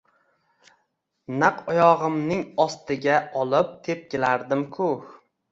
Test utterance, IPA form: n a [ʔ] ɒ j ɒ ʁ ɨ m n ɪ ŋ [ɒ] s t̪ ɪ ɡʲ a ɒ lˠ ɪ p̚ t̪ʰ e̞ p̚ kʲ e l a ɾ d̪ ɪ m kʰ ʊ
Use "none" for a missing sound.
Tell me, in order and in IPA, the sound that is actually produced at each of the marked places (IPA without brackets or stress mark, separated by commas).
q, ɒ